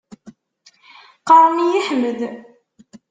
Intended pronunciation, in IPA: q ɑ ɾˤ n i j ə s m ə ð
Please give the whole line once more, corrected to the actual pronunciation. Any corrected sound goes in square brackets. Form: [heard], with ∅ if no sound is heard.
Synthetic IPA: q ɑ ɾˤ [m] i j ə [ħ] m ə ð